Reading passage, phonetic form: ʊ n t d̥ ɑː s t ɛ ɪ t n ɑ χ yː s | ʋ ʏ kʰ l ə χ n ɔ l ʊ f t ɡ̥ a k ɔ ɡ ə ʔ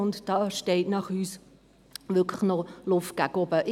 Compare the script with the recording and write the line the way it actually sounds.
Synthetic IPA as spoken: ʊ n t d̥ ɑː ʃ t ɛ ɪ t n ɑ χ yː s | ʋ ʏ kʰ l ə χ n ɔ l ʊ f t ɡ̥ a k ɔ b ə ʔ

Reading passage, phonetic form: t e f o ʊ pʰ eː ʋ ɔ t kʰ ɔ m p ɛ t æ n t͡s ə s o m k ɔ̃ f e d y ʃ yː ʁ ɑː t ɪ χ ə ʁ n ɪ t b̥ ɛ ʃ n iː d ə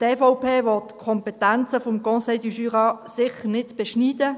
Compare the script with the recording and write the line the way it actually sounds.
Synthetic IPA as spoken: t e f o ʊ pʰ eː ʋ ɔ t kʰ ɔ m p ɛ t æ n t͡s ə f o m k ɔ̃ s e d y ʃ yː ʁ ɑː s ɪ χ ə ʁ n ɪ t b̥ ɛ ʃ n iː d ə

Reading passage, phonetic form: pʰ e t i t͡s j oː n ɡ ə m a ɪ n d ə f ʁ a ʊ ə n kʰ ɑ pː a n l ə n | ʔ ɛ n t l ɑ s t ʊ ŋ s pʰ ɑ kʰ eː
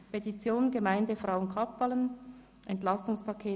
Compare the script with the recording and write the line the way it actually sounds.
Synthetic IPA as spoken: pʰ e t i t͡s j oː n ɡ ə m a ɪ n d ə f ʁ a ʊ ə n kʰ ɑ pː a l ə n | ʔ ɛ n t l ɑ s t ʊ ŋ s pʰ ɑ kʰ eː

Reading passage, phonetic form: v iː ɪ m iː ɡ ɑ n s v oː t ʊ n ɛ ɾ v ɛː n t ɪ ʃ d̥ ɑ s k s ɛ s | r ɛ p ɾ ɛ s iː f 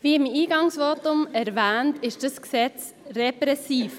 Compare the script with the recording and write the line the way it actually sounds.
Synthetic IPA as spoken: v iː ɪ m iː ɡ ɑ ŋ s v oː t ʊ m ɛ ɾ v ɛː n t ɪ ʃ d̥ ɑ s k s ɛ t͡s | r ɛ p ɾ ɛ s iː f

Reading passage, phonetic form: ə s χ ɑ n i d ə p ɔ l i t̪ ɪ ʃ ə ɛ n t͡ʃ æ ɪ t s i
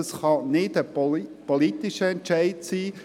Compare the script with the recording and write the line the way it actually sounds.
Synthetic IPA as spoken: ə s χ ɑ n ɪ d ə p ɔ l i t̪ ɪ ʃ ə ɛ n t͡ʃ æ ɪ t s iː

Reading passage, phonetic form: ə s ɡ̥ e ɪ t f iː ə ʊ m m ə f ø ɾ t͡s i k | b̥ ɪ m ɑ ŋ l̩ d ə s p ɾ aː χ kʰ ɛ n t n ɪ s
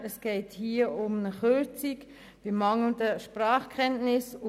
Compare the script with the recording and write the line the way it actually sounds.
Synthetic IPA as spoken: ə s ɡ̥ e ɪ t h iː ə ʊ m n ə χ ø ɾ t͡s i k | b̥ ɪ m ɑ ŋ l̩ d ə ʃ p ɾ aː χ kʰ ɛ n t n ɪ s

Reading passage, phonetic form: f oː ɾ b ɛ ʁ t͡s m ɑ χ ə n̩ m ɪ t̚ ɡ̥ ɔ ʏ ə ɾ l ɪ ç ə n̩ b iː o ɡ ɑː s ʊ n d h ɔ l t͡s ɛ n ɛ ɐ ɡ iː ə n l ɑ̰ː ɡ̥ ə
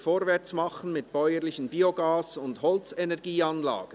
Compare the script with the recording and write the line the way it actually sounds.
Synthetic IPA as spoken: f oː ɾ v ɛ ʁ t͡s m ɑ χ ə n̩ m ɪ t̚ b̥ ɔ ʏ ə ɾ l ɪ ç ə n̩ b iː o ɡ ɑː s ʊ n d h ɔ l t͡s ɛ n ɛ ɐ ɡ iː ɑ n l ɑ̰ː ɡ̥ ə

